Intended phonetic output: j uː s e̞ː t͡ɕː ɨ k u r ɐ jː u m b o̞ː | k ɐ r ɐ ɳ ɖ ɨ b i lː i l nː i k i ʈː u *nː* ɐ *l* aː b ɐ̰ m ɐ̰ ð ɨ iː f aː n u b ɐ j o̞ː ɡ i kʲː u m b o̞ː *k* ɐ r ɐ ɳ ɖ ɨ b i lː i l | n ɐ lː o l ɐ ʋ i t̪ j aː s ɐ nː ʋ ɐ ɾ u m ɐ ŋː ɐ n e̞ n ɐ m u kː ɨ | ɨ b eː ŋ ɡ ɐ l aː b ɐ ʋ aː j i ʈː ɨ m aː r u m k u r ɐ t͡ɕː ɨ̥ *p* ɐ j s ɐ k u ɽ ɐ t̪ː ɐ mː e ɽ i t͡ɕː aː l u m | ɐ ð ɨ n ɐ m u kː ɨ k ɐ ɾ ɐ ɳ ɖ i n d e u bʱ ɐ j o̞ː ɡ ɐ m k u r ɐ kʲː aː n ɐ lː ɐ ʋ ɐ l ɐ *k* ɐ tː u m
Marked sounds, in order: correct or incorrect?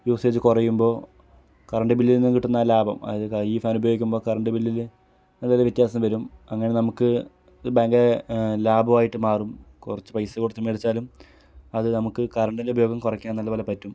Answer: correct, correct, correct, correct, incorrect

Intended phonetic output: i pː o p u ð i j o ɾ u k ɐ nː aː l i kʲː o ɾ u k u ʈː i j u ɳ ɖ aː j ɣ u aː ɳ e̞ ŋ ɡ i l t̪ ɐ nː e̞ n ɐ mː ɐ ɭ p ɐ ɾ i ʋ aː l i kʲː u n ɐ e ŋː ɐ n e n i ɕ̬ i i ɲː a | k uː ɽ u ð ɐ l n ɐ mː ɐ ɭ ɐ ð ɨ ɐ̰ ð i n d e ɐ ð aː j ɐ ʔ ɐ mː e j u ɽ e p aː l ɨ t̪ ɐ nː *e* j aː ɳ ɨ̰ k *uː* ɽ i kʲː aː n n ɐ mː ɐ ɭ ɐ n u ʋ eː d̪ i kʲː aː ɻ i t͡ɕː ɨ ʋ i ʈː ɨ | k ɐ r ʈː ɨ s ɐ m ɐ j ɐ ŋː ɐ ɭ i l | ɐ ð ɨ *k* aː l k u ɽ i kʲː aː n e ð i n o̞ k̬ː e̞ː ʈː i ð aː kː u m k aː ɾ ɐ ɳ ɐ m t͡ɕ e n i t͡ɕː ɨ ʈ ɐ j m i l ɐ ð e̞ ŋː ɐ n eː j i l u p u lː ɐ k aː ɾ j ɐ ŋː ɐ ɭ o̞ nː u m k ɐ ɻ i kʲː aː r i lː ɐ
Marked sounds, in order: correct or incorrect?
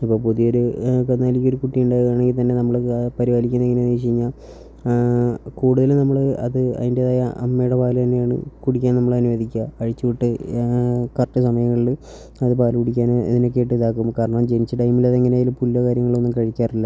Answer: correct, incorrect, incorrect

